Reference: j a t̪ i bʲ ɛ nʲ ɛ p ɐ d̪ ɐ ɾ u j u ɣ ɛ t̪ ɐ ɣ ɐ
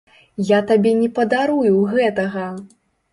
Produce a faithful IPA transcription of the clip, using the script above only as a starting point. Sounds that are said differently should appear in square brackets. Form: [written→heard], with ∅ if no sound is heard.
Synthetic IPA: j a t̪ [i→a] bʲ ɛ nʲ ɛ p ɐ d̪ [ɐ→a] ɾ u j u ɣ ɛ t̪ ɐ ɣ ɐ

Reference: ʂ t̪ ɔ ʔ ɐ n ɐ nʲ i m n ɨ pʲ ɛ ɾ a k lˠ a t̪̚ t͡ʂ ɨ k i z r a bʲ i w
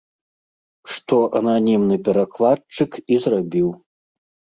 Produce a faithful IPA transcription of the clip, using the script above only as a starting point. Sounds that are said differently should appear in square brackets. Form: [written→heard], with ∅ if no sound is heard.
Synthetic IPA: ʂ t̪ ɔ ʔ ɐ n [ɐ→a] nʲ i m n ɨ pʲ ɛ ɾ a k lˠ a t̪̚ t͡ʂ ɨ k i z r a bʲ i w

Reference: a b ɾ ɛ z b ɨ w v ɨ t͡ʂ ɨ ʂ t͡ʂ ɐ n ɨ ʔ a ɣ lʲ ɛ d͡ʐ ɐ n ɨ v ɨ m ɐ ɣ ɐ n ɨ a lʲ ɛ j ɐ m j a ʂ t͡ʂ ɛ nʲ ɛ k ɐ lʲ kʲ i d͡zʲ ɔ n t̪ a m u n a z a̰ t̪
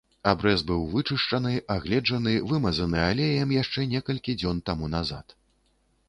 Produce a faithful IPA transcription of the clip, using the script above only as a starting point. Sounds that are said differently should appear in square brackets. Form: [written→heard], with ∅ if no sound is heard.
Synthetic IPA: a b ɾ ɛ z b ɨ w v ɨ t͡ʂ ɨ ʂ t͡ʂ ɐ n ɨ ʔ a ɣ lʲ ɛ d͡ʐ ɐ n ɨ v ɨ m ɐ [ɣ→z] ɐ n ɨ a lʲ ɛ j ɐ m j a ʂ t͡ʂ ɛ nʲ ɛ k ɐ lʲ kʲ i d͡zʲ ɔ n t̪ a m u n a z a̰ t̪

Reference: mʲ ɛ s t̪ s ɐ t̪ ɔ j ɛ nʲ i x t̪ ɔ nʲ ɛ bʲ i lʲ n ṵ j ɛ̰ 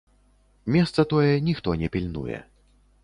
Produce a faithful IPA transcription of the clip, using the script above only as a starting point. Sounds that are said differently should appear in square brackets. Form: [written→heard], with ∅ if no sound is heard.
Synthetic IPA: mʲ ɛ s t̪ s ɐ t̪ ɔ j ɛ nʲ i x t̪ ɔ nʲ ɛ [bʲ→pʲ] i lʲ n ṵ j ɛ̰

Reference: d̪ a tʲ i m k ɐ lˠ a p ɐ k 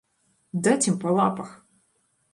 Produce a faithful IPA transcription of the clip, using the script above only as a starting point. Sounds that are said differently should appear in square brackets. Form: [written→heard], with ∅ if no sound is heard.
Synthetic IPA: d̪ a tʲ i m [k→p] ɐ lˠ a p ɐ [k→x]

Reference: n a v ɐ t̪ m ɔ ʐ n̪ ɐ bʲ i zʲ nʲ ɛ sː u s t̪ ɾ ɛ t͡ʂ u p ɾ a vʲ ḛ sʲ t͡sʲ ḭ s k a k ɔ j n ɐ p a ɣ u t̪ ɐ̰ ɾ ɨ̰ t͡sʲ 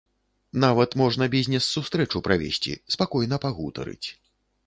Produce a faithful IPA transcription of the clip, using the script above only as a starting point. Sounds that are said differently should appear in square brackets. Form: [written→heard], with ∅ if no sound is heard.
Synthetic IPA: n a v ɐ t̪ m ɔ ʐ n̪ ɐ bʲ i zʲ nʲ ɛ sː u s t̪ ɾ ɛ t͡ʂ u p ɾ a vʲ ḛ sʲ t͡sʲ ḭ s [k→p] a k ɔ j n ɐ p a ɣ u t̪ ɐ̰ ɾ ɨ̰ t͡sʲ

